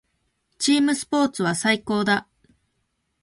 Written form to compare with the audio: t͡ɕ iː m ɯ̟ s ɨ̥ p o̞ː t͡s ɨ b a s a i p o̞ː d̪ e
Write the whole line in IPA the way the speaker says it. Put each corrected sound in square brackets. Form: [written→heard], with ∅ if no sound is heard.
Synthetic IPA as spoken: t͡ɕ iː m ɯ̟ s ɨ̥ p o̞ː t͡s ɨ [b→β] a s a i [p→k] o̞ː d̪ [e→a]